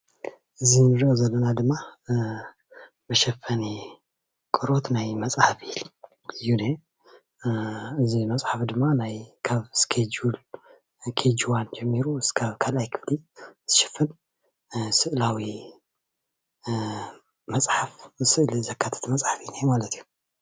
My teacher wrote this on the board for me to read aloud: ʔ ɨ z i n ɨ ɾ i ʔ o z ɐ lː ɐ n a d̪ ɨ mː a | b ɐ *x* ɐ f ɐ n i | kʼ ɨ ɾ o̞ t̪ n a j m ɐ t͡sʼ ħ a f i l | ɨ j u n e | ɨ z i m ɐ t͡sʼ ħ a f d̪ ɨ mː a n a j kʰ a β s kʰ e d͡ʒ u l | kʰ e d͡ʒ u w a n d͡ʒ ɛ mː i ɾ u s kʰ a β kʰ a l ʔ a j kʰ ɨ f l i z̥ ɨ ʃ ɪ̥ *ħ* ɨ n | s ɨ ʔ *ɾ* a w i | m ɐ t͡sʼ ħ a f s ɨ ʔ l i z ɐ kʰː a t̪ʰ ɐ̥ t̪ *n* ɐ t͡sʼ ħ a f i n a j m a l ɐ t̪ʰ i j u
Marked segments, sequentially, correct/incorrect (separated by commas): incorrect, incorrect, incorrect, incorrect